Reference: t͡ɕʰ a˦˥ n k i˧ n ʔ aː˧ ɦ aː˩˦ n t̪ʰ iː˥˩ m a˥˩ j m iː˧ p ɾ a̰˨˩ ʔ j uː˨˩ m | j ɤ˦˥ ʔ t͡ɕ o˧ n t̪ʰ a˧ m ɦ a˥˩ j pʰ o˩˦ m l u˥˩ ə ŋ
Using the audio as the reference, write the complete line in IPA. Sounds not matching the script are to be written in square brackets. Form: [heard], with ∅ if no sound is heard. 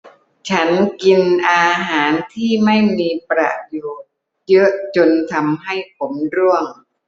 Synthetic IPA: t͡ɕʰ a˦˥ n k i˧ n ʔ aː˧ ɦ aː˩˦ n t̪ʰ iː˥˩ m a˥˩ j m iː˧ p ɾ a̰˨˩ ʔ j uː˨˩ [∅] | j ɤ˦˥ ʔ t͡ɕ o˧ n t̪ʰ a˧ m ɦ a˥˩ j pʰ o˩˦ m [ɾ] u˥˩ ə ŋ